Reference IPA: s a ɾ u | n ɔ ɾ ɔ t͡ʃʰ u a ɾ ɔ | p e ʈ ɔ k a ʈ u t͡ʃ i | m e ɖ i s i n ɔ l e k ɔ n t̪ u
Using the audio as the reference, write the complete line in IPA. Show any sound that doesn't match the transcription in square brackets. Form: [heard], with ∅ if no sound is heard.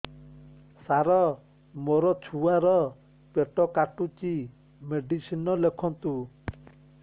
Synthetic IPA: s a ɾ [ɔ] | [m] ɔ ɾ ɔ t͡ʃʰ u a ɾ ɔ | p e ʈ ɔ k a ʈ u t͡ʃ i | m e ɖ i s i n ɔ l e [kʰ] ɔ n t̪ u